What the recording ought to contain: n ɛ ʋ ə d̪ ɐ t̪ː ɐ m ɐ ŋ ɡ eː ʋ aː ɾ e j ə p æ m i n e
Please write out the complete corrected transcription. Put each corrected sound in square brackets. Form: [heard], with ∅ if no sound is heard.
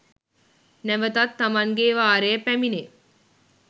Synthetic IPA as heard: n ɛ ʋ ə [t̪] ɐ t̪ː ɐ m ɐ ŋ ɡ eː ʋ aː ɾ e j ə p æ m i n e